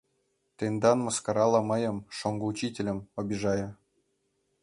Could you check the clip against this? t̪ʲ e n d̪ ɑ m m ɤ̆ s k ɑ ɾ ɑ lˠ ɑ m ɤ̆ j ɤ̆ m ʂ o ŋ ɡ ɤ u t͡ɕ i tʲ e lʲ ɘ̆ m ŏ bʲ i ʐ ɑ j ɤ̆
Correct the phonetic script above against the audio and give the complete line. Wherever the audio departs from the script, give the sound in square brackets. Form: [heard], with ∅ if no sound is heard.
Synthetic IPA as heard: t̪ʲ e n d̪ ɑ [n] m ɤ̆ s k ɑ ɾ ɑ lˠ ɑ m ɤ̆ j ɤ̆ m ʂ o ŋ ɡ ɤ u t͡ɕ i tʲ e lʲ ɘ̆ m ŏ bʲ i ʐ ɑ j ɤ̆